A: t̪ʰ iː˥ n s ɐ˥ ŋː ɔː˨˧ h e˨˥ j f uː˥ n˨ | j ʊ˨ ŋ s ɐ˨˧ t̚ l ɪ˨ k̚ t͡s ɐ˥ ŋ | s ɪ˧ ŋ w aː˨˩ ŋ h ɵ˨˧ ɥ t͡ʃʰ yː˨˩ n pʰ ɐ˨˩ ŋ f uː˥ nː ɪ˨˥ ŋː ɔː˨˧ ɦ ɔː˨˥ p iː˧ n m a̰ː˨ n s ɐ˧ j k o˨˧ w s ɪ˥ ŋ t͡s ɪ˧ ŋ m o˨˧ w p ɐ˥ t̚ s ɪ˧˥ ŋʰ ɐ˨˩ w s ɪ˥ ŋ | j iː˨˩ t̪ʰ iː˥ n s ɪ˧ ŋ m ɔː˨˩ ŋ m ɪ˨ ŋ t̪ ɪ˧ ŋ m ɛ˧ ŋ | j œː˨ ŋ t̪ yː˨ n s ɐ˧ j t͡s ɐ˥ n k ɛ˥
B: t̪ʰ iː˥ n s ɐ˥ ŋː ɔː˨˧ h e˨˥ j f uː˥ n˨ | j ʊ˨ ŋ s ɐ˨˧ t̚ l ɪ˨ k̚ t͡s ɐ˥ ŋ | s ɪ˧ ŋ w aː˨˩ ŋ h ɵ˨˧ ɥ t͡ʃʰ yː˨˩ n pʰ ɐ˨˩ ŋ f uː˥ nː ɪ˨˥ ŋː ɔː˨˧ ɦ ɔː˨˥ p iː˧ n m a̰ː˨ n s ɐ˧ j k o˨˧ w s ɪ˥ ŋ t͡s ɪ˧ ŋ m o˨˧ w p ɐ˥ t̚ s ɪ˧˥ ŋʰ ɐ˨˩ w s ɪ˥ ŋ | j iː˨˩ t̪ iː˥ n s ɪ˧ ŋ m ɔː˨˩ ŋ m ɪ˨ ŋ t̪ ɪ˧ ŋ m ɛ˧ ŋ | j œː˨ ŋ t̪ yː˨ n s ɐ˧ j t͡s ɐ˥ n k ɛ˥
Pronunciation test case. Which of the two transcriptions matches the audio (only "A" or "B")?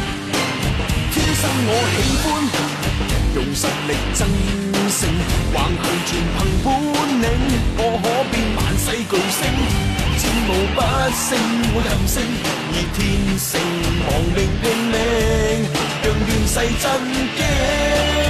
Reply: A